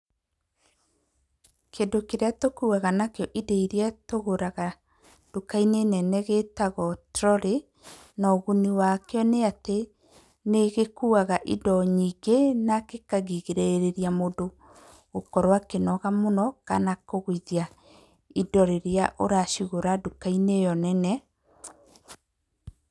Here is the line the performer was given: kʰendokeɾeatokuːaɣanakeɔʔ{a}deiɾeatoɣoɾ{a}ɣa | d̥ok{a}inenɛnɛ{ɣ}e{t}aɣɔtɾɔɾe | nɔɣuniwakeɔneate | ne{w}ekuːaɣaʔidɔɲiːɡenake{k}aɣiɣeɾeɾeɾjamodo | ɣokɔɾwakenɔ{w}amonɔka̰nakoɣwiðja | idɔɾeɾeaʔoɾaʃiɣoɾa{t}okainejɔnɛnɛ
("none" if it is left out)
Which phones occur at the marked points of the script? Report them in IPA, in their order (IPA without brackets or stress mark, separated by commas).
i, a, a, ɣ, t, ɣ, k, ɣ, d